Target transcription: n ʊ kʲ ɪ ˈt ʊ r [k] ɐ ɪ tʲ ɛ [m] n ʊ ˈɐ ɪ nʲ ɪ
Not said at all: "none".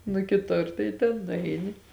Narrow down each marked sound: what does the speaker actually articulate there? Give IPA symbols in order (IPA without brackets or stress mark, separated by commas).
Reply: t, n